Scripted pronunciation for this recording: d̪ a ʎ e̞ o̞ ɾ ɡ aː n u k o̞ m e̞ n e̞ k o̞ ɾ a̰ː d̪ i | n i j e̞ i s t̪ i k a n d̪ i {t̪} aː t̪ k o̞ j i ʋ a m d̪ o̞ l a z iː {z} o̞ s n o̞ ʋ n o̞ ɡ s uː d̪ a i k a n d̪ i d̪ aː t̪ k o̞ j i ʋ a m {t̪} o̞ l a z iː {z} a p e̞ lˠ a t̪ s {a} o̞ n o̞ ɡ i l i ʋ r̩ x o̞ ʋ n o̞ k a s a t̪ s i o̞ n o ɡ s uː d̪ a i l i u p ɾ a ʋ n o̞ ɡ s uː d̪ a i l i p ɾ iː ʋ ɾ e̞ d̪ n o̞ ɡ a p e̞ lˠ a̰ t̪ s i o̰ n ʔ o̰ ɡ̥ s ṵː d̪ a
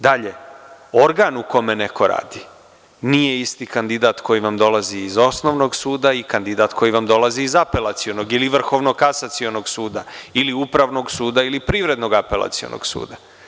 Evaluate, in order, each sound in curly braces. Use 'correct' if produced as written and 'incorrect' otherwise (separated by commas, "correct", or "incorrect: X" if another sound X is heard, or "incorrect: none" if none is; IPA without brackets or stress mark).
incorrect: d̪, correct, incorrect: d̪, correct, incorrect: i